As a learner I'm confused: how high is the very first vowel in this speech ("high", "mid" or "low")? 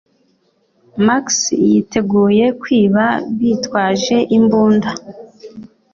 low